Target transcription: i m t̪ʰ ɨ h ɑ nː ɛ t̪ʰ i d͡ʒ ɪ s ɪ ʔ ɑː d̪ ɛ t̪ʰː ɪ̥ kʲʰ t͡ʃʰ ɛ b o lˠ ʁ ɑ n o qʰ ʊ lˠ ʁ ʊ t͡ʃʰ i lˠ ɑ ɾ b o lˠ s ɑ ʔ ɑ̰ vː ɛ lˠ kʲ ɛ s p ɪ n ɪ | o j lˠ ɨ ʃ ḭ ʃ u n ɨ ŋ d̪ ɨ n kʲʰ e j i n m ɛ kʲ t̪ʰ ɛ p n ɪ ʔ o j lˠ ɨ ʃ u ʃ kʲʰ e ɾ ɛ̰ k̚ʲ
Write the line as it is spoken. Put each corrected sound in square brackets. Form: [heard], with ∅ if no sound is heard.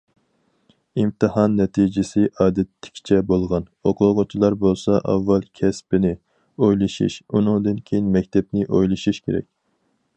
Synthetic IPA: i m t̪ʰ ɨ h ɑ nː ɛ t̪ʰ i d͡ʒ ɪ s ɪ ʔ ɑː d̪ ɛ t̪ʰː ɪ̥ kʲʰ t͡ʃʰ ɛ b o lˠ ʁ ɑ n o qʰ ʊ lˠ ʁ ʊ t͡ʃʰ i lˠ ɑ ɾ b o lˠ s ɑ ʔ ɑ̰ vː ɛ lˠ [kʲʰ] ɛ s p ɪ n ɪ | o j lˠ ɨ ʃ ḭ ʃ u n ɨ ŋ d̪ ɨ n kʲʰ e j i n m ɛ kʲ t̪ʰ ɛ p n ɪ ʔ o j lˠ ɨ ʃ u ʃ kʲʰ e ɾ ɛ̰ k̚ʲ